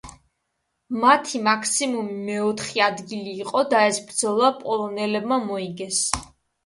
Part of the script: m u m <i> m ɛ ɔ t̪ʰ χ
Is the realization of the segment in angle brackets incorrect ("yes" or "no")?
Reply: no